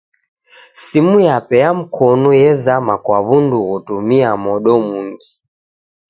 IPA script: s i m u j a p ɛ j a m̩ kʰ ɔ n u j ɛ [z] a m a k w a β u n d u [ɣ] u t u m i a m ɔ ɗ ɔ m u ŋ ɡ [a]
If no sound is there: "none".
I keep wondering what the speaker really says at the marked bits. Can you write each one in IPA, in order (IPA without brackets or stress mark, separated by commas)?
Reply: z, ɣ, i